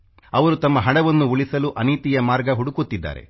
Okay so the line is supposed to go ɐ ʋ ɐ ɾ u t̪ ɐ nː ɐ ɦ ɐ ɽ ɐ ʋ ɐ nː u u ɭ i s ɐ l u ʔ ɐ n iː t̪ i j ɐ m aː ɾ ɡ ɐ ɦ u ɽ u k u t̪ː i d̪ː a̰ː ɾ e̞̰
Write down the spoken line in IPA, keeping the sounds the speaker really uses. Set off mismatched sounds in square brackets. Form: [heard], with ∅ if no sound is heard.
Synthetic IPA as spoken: ɐ ʋ ɐ ɾ u t̪ ɐ [mː] ɐ ɦ ɐ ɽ ɐ ʋ ɐ nː u u ɭ i s ɐ l u ʔ ɐ n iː t̪ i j ɐ m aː ɾ ɡ ɐ ɦ u ɽ u k u t̪ː i d̪ː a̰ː ɾ e̞̰